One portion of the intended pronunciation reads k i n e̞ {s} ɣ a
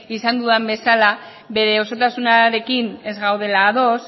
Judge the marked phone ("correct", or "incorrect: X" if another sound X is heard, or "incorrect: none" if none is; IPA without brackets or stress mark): incorrect: z